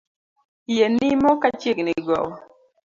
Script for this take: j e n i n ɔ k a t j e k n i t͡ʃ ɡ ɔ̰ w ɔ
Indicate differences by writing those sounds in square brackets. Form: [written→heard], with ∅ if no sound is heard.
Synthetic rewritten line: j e n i [n→m] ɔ k a [t→t͡ʃ] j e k n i [t͡ʃ→∅] ɡ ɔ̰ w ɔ

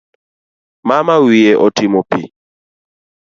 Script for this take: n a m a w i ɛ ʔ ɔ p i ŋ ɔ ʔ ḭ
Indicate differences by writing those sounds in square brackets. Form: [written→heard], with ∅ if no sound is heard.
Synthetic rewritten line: [n→m] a m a w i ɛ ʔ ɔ [p→t] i [ŋ→m] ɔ [ʔ→p] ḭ

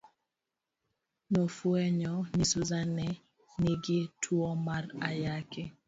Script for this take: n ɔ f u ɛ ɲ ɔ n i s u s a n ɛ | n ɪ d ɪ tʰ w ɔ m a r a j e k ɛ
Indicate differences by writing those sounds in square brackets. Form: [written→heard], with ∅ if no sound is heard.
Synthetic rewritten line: n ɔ f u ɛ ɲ ɔ n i s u [s→z] a n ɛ | n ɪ [d→ɡ] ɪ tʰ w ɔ m a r a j [e→a] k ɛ

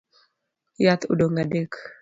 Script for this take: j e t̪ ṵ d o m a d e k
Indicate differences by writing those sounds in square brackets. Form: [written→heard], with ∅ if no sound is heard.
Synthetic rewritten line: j [e→a] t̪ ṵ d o [m→ŋ] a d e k

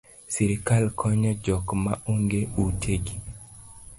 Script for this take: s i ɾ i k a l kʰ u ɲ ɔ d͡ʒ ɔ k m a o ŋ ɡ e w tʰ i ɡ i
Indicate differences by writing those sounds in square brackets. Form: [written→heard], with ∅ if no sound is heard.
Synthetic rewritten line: s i ɾ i k a l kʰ [u→ɔ] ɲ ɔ d͡ʒ ɔ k m a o ŋ ɡ e [w→u] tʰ [i→e] ɡ i

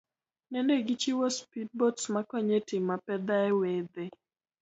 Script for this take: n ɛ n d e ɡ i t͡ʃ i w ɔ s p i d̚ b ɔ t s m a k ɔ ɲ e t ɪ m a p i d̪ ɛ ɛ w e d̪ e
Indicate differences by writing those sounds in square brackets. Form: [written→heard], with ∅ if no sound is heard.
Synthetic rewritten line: n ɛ n d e ɡ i t͡ʃ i w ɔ s p i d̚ b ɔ t s m a k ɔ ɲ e t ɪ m a p [i→ɛ] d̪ [ɛ→a] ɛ w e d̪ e

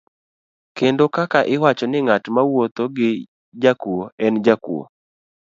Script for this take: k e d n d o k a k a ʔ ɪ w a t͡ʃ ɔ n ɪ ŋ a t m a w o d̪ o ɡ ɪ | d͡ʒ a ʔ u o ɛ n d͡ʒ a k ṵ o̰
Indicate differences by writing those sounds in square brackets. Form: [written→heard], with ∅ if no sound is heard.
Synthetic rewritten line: k e [d→∅] n d o k a k a ʔ ɪ w a t͡ʃ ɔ n ɪ ŋ a t m a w o [d̪→t̪] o ɡ ɪ | d͡ʒ a [ʔ→k] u o ɛ n d͡ʒ a k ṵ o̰

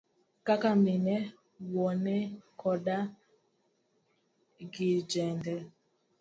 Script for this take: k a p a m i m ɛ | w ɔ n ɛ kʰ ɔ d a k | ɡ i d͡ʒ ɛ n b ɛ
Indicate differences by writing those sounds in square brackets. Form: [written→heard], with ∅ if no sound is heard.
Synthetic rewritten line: k a [p→k] a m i [m→n] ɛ | w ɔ n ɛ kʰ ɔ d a [k→∅] | ɡ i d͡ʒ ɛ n [b→d] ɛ

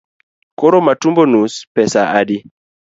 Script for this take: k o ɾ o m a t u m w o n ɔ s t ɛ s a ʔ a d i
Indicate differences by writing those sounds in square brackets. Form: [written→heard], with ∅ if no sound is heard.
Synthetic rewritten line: k o ɾ o m a t u m [w→b] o n [ɔ→u] s [t→p] ɛ s a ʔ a d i

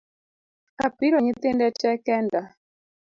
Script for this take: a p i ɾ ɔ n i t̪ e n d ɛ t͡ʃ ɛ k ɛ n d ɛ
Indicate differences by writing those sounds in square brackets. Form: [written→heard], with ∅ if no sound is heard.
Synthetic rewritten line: a p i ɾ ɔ [n→ɲ] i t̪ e n d ɛ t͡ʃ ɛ k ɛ n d [ɛ→a]

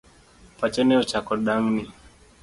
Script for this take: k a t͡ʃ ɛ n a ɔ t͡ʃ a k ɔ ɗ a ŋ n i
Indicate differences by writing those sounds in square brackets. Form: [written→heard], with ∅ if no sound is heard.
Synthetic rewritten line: [k→p] a t͡ʃ ɛ n [a→ɛ] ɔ t͡ʃ a k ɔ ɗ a ŋ n i

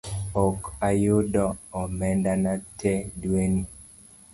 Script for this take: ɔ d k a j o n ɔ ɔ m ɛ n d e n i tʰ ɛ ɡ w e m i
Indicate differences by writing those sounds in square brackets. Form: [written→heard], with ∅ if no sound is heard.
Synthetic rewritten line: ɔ [d→∅] k a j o [n→d] ɔ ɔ m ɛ n d [e→a] n [i→a] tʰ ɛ [ɡ→d] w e [m→n] i

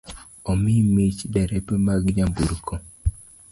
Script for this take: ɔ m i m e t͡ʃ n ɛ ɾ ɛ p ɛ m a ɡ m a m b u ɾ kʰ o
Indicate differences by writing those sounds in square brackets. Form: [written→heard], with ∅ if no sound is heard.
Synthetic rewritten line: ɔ m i m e t͡ʃ [n→d] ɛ ɾ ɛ p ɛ m a ɡ [m→ɲ] a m b u ɾ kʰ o

